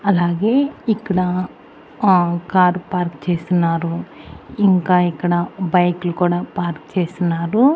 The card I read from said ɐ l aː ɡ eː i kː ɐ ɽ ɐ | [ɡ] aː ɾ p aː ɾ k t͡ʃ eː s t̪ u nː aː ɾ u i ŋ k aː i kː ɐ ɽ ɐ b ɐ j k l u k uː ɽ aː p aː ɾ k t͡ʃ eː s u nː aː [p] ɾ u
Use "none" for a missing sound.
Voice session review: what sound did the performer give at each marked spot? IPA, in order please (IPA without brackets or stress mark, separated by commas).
k, none